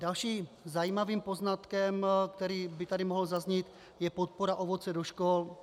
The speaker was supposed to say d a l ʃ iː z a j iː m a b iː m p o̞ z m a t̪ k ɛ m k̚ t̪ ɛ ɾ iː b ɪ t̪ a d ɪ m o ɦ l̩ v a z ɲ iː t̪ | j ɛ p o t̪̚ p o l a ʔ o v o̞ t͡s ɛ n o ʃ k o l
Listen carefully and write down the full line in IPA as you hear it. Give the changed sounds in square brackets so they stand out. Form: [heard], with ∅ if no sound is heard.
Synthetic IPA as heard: d a l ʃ iː z a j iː m a [v] iː m p o̞ z [n] a t̪ k ɛ m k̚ t̪ ɛ ɾ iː b ɪ t̪ a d ɪ m o ɦ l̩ [z] a z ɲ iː t̪ | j ɛ p o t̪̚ p o [ɾ] a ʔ o v o̞ t͡s ɛ [d] o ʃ k o l